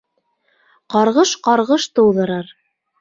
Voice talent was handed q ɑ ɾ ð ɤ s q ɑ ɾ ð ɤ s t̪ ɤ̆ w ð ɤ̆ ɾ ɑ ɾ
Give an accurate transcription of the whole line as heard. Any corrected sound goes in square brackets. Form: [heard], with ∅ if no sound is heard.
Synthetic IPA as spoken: q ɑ ɾ [ʁ] ɤ [ʃ] q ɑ ɾ [ʁ] ɤ [ʃ] t̪ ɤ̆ w ð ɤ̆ ɾ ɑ ɾ